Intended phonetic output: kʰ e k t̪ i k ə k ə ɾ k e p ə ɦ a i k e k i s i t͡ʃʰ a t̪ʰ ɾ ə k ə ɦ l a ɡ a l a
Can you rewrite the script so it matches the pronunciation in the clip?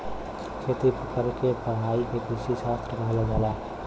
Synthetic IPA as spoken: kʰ e t̪ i p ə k ə ɾ k e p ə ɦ a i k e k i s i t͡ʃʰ a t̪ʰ ɾ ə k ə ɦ l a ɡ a l a